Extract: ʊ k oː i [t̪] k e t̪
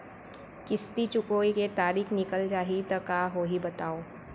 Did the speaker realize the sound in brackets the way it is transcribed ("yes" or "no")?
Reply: no